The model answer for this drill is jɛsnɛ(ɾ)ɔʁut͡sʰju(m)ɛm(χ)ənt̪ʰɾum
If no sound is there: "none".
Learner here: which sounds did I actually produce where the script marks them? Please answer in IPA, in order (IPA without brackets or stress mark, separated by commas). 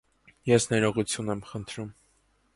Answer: ɾ, n, χ